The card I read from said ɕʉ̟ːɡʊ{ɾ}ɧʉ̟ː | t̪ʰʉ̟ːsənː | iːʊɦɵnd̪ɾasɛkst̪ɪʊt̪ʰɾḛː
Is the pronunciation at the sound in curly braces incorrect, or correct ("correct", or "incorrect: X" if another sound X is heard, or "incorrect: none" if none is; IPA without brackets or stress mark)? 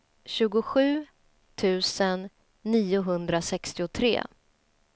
incorrect: none